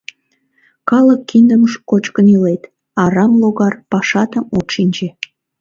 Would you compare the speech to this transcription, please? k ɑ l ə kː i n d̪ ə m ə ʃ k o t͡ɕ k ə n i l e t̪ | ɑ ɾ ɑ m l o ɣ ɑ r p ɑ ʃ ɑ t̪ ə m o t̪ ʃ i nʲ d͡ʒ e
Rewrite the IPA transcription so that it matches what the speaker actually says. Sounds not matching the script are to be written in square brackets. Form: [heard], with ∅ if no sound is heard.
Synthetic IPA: k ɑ l ə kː i n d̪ ə m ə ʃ k o t͡ɕ k ə n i l e t̪ | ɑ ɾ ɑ m l o ɣ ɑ r p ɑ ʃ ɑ t̪ ə m o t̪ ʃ i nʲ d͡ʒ e